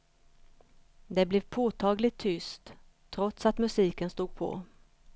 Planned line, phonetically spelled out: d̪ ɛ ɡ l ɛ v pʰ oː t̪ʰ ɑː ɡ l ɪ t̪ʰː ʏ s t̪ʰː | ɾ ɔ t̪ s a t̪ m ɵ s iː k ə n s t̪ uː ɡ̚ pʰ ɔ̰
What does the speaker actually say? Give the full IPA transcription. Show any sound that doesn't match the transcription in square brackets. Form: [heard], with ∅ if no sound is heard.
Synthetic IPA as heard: d̪ ɛ [b] l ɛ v pʰ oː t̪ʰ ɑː ɡ l ɪ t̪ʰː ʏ s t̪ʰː | ɾ ɔ t̪ s a t̪ m ɵ s iː k ə n s t̪ uː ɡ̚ pʰ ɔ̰

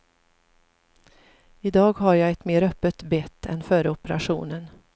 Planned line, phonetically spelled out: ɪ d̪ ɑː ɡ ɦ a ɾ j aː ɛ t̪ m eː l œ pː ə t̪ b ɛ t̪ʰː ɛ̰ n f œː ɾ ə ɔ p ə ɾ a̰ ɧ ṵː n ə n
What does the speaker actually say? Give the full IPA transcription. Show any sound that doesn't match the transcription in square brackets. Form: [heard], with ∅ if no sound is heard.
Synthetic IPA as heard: ɪ d̪ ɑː ɡ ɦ a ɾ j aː ɛ t̪ m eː [ɾ] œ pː ə t̪ b ɛ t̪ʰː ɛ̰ n f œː ɾ ə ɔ p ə ɾ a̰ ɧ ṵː n ə n

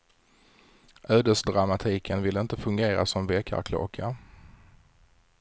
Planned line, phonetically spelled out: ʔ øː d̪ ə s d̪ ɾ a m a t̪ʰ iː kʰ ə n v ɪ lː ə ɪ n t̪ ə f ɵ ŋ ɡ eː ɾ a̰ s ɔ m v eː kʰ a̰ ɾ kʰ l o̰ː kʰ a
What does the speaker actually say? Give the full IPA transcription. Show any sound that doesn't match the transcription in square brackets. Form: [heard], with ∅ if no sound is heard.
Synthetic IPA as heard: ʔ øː d̪ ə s d̪ ɾ a m a t̪ʰ iː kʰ ə n v ɪ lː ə ɪ n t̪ ə f ɵ ŋ ɡ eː ɾ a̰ s ɔ m v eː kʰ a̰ ɾ kʰ l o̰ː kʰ a

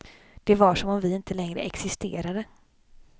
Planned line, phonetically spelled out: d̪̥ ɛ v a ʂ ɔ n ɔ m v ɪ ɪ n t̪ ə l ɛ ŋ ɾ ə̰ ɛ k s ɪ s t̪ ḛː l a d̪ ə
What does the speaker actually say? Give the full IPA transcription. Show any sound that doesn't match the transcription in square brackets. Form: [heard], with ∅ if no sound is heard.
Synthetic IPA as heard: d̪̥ ɛ v a ʂ ɔ [m] ɔ m v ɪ ɪ n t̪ ə l ɛ ŋ ɾ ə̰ ɛ k s ɪ s t̪ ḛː [ɾ] a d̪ ə

